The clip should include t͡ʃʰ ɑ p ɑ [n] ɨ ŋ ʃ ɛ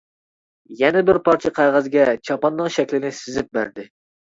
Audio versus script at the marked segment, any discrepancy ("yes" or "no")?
yes